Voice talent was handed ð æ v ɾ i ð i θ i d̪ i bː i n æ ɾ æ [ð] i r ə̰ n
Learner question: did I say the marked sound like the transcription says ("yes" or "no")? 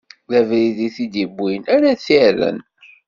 no